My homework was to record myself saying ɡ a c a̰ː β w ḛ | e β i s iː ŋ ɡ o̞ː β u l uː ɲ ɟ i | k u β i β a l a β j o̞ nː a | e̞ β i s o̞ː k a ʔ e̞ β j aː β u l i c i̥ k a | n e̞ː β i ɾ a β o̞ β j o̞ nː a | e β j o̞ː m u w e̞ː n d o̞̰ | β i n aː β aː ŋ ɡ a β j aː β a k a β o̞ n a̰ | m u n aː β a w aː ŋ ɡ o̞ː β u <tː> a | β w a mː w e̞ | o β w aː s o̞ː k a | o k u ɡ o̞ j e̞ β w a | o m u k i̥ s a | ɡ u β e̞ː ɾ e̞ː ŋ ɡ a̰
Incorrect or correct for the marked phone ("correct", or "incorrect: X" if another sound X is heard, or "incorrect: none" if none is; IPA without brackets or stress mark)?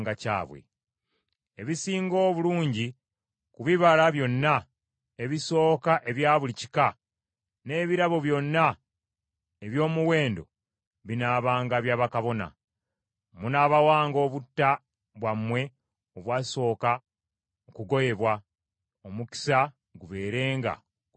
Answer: correct